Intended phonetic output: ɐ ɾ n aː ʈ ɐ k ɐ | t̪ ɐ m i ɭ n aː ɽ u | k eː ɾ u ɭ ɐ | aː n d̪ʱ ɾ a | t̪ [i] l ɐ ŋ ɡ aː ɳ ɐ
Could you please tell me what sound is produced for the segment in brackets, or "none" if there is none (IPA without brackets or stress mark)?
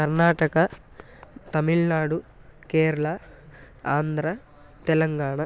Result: ɛ